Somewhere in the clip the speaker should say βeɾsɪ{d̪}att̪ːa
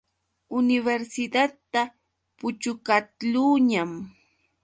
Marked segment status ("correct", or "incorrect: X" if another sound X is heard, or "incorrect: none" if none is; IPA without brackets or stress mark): correct